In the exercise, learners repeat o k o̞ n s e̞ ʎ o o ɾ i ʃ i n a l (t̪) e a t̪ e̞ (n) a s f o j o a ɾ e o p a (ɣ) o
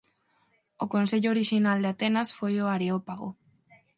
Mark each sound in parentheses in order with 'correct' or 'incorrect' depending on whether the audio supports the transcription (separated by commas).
incorrect, correct, correct